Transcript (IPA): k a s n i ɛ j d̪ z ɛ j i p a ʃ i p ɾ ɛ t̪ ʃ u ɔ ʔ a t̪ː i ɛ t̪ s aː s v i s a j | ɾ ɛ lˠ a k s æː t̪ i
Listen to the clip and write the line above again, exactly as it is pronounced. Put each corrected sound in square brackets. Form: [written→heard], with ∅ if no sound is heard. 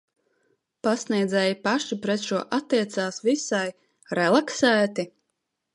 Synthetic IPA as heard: [k→p] a s n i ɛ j d̪ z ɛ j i p a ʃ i p ɾ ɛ t̪ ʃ u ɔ ʔ a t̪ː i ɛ t̪ s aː s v i s a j | ɾ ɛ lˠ a k s æː t̪ i